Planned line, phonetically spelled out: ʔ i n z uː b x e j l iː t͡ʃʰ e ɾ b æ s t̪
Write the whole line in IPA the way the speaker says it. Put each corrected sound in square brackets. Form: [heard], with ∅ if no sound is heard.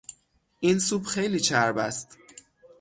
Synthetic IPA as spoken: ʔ i n [s] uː b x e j l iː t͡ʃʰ [æ] ɾ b æ s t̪